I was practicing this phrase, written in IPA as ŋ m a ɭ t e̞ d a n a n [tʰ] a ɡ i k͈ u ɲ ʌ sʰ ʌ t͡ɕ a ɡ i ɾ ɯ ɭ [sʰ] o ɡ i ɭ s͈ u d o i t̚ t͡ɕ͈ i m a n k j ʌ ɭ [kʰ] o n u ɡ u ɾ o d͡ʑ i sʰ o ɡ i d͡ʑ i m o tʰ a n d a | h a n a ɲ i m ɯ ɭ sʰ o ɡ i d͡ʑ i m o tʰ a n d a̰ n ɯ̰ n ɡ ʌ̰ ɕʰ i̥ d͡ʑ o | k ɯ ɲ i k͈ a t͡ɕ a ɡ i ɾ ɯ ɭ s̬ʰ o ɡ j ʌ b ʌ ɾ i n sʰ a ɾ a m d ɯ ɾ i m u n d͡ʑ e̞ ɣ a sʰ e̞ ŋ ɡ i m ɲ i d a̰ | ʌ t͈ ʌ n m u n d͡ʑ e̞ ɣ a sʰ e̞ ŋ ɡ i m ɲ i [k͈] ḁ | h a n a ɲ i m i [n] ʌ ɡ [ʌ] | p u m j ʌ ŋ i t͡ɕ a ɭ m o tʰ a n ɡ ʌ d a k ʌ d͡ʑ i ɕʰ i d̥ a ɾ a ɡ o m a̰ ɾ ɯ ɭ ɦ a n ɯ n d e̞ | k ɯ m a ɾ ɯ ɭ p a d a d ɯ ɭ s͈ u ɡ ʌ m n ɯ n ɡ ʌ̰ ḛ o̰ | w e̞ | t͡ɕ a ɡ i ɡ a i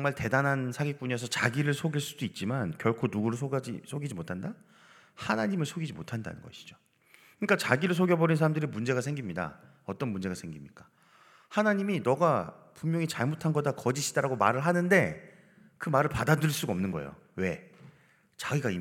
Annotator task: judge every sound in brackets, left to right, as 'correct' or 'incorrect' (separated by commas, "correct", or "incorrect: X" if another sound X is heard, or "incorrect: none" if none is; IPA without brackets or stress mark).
incorrect: sʰ, correct, correct, correct, correct, incorrect: a